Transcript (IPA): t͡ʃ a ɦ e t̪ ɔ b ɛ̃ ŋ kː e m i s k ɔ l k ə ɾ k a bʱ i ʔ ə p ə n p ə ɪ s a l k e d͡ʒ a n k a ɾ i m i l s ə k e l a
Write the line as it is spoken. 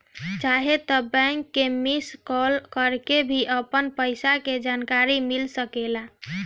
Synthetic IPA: t͡ʃ a ɦ e t̪ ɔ b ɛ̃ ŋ kː e m i s k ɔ l k ə ɾ k e bʱ i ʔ ə p ə n p ə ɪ s a k e d͡ʒ a n k a ɾ i m i l s ə k e l a

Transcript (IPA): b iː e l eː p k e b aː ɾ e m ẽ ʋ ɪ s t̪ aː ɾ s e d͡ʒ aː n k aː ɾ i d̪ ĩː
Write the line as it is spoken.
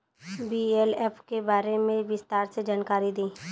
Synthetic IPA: b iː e l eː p k e b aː ɾ e m ẽ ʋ ɪ s t̪ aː ɾ s e d͡ʒ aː n k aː ɾ i d̪ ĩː

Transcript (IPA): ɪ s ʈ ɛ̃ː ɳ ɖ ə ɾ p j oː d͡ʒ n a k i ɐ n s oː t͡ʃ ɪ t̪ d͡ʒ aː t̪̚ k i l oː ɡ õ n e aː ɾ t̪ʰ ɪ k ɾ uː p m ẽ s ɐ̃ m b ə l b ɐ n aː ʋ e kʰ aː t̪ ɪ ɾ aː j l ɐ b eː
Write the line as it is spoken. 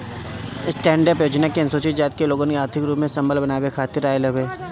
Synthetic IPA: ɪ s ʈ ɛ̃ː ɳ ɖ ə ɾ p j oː d͡ʒ n a k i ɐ n s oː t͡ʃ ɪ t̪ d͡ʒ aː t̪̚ k e l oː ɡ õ n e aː ɾ t̪ʰ ɪ k ɾ uː p m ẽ s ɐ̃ m b ə l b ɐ n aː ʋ e kʰ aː t̪ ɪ ɾ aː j l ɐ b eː

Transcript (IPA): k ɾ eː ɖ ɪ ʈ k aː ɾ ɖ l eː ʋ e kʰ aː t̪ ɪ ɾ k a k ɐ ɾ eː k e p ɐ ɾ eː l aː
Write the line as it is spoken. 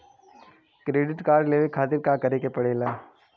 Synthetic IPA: k ɾ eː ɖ ɪ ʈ k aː ɾ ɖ l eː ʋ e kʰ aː t̪ ɪ ɾ k a k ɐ ɾ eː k e p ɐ ɽ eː l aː

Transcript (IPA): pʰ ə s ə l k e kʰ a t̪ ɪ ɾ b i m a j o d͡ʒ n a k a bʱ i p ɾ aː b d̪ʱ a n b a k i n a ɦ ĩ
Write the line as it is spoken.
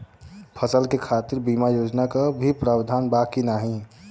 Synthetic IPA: pʰ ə s ə l k e kʰ a t̪ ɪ ɾ b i m a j o d͡ʒ n a k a bʱ i p ɾ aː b d̪ʱ a n b a k i n a ɦ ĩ

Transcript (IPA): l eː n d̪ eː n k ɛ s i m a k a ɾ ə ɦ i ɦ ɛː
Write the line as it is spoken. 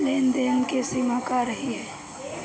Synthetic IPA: l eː n d̪ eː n k e s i m a k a ɾ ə ɦ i ɦ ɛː

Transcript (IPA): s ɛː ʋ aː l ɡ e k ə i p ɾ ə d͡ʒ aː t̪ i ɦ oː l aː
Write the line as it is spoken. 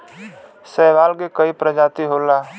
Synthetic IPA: s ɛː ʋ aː l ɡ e k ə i p ɾ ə d͡ʒ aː t̪ i ɦ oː l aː

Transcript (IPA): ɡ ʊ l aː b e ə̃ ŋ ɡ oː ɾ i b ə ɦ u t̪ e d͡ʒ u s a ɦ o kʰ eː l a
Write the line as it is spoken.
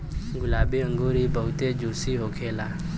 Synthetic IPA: ɡ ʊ l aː b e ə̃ ŋ ɡ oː ɾ i b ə ɦ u t̪ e d͡ʒ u s i ɦ o kʰ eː l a

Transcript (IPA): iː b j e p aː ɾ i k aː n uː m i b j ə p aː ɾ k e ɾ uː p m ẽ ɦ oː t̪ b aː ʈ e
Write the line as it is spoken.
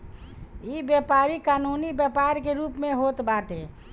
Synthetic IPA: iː b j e p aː ɾ i k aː n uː n i b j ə p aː ɾ k e ɾ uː p m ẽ ɦ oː t̪ b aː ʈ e

